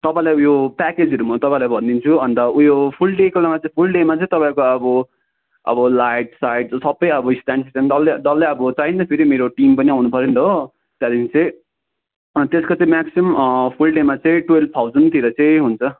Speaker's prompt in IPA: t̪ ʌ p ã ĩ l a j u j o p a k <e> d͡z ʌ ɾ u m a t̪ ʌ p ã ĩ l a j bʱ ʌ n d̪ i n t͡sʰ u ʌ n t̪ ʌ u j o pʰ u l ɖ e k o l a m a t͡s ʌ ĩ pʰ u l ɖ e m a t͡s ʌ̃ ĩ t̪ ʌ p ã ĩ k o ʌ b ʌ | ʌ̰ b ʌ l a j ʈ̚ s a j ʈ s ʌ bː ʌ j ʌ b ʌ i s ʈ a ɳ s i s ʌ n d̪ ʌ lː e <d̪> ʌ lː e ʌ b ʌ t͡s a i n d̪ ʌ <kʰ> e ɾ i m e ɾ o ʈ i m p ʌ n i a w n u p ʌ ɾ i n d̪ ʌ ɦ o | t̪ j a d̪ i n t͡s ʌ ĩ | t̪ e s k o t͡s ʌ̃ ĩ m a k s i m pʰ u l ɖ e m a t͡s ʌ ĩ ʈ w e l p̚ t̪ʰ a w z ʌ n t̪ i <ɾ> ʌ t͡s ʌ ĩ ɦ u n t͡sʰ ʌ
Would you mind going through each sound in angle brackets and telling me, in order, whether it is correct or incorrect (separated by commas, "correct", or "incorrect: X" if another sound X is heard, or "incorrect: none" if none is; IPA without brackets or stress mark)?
correct, correct, incorrect: pʰ, correct